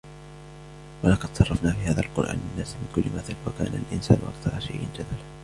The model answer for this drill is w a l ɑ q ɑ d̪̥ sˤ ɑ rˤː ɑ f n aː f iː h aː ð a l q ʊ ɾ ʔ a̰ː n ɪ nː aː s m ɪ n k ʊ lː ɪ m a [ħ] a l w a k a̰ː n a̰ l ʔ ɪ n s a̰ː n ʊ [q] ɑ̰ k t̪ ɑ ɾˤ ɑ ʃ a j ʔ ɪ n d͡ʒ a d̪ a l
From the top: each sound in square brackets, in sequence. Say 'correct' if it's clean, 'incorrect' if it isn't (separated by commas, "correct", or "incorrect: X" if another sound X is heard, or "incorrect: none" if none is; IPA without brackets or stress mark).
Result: incorrect: θ, incorrect: ʔ